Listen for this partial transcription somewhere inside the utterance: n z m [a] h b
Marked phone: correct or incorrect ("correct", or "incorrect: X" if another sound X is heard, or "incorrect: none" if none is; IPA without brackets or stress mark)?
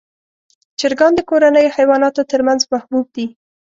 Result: correct